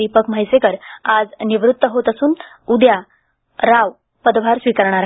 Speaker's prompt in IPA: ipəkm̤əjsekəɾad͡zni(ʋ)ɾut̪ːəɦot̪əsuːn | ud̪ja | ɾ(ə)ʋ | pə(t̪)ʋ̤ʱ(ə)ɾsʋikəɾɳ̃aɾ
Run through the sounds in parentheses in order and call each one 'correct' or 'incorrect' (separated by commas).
correct, incorrect, incorrect, incorrect